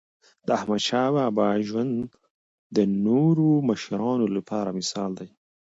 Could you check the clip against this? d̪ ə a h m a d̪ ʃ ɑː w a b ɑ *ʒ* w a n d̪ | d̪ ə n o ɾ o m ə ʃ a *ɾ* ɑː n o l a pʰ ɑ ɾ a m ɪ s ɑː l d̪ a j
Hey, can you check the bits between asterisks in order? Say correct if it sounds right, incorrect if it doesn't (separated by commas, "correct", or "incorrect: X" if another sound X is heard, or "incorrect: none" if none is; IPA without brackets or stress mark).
correct, correct